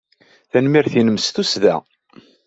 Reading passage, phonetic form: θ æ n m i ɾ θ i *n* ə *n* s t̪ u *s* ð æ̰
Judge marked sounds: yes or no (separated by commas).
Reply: yes, no, yes